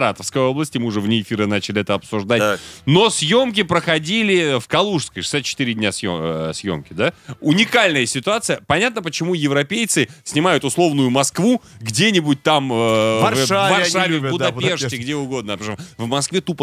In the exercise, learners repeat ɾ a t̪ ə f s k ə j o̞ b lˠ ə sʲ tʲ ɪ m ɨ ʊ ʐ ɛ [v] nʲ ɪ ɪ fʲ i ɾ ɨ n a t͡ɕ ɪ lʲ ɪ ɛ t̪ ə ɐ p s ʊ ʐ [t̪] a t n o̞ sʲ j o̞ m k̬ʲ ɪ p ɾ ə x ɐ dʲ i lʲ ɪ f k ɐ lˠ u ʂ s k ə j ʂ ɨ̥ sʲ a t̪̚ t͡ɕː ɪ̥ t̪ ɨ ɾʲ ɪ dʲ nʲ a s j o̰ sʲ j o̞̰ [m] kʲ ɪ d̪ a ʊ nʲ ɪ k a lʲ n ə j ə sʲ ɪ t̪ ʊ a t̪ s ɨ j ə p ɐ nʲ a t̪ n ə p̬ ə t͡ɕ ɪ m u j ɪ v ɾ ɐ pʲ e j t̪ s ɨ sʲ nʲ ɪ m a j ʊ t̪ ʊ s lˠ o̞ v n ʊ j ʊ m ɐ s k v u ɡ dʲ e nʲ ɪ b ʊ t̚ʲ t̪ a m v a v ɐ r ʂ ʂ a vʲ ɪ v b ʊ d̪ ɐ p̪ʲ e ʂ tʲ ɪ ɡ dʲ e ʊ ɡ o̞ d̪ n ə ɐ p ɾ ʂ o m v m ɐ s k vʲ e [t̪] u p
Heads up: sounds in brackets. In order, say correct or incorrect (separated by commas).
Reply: correct, incorrect, correct, correct